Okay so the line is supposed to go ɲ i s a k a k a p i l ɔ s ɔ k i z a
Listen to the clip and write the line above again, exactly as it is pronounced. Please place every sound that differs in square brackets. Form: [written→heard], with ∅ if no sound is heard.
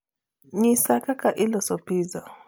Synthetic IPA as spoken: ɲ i s a k a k a [p→ʔ] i l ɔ s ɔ [k→p] i z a